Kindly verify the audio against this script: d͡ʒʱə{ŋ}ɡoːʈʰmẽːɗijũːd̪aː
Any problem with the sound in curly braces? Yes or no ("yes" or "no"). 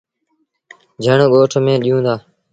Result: yes